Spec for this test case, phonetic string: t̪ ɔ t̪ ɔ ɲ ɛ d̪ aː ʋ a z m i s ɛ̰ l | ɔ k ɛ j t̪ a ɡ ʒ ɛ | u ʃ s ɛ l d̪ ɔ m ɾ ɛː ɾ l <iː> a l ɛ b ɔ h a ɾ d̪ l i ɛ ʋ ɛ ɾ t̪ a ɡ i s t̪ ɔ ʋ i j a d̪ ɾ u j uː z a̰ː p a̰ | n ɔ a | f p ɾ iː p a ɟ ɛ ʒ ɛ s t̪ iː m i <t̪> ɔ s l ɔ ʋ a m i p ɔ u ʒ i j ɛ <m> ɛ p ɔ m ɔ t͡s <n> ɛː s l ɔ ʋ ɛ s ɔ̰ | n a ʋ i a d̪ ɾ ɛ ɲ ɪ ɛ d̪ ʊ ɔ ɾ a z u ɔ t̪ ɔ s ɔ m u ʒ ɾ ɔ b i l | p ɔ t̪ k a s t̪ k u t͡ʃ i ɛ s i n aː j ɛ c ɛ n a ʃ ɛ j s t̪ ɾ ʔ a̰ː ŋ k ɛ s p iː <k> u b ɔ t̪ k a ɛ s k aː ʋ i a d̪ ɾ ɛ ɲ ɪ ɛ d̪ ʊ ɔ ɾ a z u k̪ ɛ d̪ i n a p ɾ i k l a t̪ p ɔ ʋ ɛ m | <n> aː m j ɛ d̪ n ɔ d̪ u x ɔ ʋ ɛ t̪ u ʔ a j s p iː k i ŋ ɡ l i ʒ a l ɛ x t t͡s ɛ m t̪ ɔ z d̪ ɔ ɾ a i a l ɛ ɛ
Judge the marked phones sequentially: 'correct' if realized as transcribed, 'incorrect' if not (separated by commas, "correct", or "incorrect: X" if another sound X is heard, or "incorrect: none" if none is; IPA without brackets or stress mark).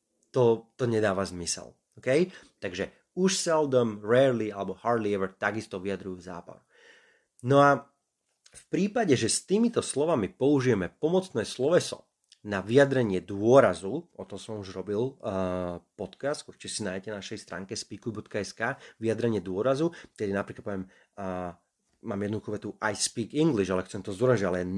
incorrect: i, correct, correct, correct, correct, incorrect: m